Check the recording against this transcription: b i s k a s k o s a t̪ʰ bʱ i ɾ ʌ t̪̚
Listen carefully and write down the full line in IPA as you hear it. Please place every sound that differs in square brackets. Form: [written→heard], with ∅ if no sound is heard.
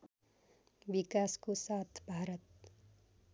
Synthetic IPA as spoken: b i [s→∅] k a s k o s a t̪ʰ bʱ [i→a] ɾ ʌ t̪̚